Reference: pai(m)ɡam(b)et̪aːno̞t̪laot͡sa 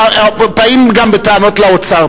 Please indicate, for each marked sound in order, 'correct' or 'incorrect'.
correct, correct

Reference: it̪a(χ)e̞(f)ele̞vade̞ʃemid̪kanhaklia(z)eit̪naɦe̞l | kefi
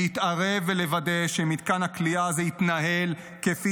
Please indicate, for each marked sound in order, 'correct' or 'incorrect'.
incorrect: ʁ, incorrect: v, correct

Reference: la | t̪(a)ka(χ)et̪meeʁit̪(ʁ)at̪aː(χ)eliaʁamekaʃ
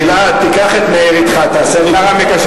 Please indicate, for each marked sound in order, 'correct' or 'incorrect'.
incorrect: i, correct, incorrect: χ, incorrect: s

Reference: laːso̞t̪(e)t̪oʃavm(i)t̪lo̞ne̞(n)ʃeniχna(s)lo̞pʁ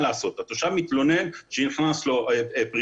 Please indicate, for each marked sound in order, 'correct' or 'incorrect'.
incorrect: a, correct, correct, correct

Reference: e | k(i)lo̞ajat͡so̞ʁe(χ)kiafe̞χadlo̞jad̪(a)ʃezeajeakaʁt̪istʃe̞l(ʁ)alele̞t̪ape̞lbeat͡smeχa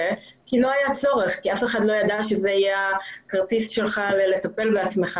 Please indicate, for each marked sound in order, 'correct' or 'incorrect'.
correct, correct, correct, incorrect: χ

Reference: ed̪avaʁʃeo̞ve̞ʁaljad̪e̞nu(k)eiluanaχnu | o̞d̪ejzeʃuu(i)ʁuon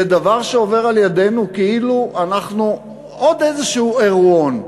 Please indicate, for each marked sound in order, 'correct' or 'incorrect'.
correct, incorrect: e

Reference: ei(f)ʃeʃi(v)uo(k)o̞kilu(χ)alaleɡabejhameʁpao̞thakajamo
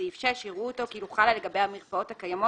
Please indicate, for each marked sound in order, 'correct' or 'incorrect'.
correct, incorrect: ʁ, incorrect: t, correct

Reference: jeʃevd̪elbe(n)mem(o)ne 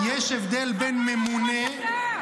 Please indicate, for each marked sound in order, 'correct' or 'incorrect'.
correct, incorrect: u

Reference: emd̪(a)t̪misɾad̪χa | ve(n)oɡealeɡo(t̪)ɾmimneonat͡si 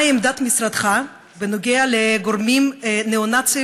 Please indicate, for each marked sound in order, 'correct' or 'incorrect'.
correct, correct, incorrect: none

